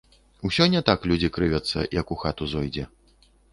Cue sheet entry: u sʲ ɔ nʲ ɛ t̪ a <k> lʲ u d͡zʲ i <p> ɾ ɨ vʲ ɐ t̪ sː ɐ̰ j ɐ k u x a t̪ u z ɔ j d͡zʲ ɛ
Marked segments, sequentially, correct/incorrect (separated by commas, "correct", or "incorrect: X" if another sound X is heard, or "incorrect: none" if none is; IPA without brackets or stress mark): correct, incorrect: k